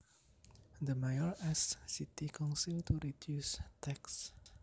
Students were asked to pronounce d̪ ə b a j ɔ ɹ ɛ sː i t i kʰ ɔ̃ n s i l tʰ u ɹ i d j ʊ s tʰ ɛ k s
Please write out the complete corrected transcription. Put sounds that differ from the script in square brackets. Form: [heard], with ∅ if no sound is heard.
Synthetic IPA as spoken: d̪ ə [m] a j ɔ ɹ ɛ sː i t i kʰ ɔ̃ n s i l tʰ u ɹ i d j [u] s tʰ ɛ k s